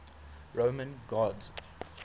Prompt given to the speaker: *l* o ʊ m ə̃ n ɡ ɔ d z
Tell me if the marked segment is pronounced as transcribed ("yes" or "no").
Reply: no